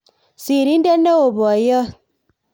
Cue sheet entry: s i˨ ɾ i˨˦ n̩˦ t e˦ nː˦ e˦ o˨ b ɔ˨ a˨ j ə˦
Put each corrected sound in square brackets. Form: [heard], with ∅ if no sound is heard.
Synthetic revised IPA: s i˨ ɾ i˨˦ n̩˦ [d] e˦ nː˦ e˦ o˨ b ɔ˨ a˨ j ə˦